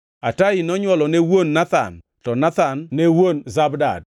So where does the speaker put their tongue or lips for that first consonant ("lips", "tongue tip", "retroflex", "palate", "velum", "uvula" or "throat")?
tongue tip